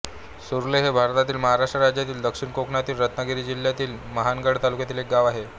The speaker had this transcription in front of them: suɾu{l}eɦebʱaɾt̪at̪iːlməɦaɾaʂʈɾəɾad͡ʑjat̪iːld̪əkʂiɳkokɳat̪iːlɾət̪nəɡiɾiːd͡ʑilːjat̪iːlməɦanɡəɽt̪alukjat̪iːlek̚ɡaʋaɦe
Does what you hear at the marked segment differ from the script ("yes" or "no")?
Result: no